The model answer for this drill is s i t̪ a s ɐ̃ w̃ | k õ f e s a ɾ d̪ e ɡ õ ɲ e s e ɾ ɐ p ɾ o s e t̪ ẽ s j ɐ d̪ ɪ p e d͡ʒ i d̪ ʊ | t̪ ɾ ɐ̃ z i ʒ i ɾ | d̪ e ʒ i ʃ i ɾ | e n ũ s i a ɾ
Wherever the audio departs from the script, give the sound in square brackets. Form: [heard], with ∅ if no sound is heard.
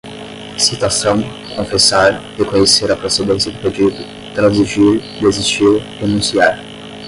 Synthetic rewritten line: s i t̪ a s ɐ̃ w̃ | k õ f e s a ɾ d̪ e [k] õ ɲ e s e ɾ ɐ p ɾ o s e [d̪] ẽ s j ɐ d̪ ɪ p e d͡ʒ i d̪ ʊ | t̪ ɾ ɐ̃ z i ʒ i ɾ | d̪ e [z] i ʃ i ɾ | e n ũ s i a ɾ